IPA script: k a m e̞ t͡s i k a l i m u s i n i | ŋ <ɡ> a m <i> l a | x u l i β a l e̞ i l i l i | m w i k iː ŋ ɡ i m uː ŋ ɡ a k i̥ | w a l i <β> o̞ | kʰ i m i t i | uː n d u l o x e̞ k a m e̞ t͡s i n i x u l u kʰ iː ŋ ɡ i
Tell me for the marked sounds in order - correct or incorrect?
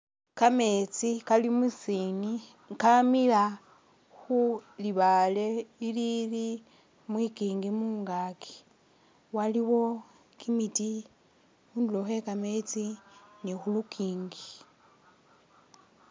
incorrect: k, correct, incorrect: w

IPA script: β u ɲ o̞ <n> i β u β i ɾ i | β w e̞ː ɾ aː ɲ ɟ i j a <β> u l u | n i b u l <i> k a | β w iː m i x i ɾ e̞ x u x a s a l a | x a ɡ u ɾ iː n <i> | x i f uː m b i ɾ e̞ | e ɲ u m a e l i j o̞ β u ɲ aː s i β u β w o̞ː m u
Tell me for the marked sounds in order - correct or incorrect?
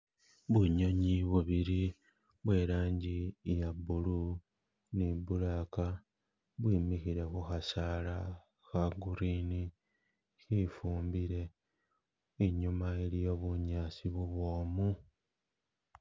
incorrect: ɲ, incorrect: b, incorrect: a, correct

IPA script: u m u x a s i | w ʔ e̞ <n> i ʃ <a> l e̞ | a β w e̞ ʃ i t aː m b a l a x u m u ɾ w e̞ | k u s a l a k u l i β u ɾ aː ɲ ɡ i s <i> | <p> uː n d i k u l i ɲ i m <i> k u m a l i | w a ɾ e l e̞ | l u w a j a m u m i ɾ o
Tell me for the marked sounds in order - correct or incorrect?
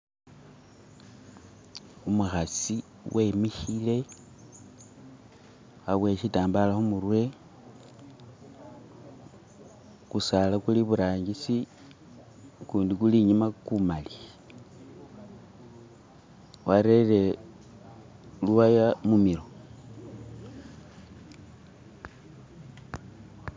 incorrect: m, incorrect: i, correct, incorrect: k, incorrect: a

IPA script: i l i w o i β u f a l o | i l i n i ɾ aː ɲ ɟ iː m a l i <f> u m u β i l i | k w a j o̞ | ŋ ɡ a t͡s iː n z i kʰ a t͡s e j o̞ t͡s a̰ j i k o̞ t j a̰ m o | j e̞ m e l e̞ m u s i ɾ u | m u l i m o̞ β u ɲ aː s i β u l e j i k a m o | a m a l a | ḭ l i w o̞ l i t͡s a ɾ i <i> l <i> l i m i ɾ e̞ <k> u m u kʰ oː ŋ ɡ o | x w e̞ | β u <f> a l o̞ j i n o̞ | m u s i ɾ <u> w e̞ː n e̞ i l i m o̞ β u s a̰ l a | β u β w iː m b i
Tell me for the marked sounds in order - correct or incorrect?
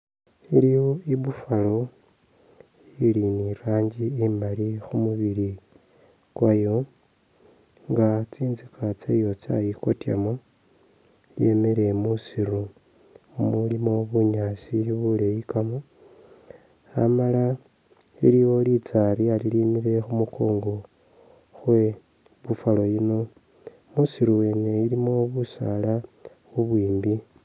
incorrect: x, incorrect: a, correct, incorrect: x, correct, correct

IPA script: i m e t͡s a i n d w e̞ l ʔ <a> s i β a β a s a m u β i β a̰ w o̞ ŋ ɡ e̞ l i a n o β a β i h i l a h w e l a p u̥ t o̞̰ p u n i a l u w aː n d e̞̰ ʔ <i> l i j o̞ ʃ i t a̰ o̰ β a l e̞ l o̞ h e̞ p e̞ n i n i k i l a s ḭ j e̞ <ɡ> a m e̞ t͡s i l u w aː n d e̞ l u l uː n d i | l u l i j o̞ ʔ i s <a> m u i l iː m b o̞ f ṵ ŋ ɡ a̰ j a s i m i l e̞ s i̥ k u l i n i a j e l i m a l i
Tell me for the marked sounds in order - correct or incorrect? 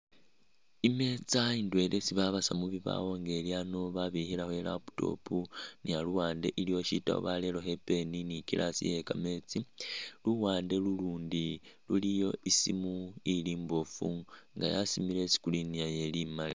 incorrect: e, correct, incorrect: k, incorrect: i

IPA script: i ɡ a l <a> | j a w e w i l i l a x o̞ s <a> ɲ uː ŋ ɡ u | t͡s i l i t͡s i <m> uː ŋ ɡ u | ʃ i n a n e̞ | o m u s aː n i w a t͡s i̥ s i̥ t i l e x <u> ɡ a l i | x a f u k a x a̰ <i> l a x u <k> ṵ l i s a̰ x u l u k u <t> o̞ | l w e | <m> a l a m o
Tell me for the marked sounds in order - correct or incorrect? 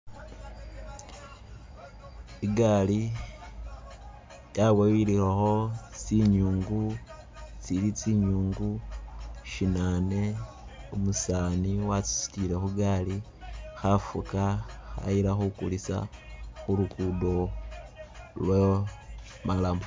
incorrect: i, incorrect: i, incorrect: ɲ, correct, correct, correct, incorrect: d, correct

